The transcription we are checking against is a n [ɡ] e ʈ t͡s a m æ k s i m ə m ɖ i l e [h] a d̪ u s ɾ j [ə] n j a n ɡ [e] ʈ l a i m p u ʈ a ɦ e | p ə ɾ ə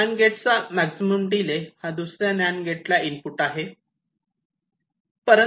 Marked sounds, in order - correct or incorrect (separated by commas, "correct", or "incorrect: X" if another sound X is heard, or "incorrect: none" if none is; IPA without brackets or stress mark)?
correct, correct, incorrect: a, correct